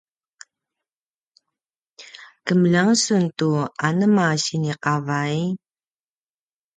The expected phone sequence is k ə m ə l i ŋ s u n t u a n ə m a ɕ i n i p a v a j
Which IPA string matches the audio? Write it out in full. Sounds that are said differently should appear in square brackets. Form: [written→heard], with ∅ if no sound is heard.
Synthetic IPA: k ə m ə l [i→a] ŋ s u n t u a n ə m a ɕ i n i [p→q] a v a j